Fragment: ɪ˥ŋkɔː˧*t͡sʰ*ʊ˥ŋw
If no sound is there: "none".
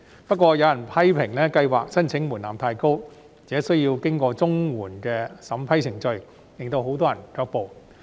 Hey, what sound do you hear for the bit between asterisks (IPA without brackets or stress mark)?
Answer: t͡s